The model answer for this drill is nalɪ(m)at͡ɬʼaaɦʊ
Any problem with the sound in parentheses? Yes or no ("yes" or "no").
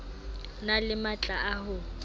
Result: no